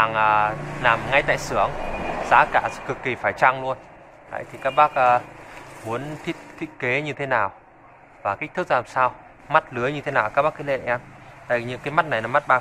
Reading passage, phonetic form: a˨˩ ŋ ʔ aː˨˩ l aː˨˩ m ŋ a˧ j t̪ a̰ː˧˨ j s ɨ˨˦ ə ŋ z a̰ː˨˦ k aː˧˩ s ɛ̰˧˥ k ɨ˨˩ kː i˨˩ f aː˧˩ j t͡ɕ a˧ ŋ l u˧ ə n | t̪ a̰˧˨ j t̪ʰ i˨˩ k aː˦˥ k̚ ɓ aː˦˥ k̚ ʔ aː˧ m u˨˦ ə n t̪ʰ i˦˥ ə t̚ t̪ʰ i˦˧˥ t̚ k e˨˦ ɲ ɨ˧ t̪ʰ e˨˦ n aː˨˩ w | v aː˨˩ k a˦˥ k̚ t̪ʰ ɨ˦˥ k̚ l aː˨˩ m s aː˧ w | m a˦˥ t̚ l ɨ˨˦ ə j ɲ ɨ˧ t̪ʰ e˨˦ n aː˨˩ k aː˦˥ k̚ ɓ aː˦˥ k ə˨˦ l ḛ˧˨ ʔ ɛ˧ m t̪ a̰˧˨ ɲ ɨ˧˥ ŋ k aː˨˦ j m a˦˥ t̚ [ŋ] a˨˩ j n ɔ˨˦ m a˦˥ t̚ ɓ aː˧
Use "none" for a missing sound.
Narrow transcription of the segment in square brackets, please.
n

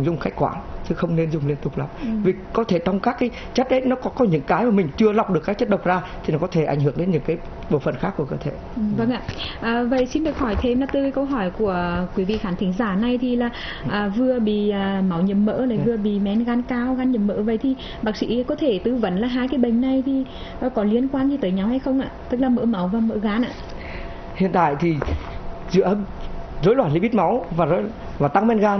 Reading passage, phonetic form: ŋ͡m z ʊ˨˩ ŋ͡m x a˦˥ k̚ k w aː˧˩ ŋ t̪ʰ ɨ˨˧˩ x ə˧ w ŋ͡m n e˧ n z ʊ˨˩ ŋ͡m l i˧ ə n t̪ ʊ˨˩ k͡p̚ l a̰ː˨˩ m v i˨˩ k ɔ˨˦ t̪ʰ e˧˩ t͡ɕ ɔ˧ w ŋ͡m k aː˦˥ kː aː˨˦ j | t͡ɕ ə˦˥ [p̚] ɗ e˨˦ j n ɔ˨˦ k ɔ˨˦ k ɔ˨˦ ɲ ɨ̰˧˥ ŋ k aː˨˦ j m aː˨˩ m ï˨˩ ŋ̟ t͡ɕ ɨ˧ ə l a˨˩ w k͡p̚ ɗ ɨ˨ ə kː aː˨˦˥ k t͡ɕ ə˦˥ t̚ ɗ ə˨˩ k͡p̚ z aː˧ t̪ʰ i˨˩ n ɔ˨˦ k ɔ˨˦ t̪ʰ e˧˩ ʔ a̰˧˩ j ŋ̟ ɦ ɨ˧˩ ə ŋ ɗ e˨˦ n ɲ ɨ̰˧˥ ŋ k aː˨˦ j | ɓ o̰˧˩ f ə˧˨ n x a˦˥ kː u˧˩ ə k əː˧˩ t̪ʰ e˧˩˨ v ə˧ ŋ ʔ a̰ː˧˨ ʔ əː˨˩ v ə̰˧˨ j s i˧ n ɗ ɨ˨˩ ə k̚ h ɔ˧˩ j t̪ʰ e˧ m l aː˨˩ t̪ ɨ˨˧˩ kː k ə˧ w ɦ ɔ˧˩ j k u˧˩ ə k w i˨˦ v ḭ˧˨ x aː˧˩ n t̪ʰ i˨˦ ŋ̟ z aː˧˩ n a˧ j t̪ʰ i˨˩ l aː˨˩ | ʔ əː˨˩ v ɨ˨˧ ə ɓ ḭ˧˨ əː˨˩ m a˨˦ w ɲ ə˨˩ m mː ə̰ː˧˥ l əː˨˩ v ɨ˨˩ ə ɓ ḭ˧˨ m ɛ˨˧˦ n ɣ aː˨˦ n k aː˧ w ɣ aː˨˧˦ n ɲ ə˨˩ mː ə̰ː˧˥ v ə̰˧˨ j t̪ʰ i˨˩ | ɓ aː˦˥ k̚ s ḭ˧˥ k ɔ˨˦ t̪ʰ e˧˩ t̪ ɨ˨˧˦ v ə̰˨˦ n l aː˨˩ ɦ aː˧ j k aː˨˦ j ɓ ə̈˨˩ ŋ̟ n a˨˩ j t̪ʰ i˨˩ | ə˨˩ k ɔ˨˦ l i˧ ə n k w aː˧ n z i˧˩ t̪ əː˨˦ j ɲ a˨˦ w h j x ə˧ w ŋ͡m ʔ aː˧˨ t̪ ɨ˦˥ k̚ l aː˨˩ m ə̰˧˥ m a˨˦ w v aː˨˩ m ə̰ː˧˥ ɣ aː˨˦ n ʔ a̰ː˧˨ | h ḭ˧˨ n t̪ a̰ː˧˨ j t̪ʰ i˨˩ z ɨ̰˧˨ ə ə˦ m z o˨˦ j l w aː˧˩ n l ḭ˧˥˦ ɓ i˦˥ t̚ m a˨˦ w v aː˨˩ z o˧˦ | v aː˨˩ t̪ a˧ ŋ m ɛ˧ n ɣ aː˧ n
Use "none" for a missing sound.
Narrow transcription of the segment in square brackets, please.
t̚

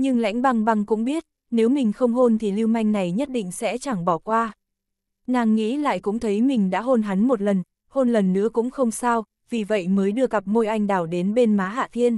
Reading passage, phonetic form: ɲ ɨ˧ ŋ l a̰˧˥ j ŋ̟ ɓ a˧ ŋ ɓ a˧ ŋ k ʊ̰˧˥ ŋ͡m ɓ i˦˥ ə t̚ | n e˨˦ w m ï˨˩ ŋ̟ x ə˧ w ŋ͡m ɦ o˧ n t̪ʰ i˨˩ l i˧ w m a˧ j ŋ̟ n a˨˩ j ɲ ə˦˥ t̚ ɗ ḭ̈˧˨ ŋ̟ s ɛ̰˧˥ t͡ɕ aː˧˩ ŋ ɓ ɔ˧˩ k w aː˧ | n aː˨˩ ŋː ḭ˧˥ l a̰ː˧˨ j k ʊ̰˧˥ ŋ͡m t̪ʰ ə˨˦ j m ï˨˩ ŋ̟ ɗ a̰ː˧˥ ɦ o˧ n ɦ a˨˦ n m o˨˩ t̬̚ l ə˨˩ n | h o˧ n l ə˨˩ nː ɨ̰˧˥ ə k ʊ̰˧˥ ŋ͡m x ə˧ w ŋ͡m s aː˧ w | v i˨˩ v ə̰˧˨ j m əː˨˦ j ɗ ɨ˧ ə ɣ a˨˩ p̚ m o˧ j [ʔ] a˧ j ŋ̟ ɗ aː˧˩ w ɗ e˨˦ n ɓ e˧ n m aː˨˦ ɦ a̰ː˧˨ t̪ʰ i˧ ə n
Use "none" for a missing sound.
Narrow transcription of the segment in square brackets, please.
ʔ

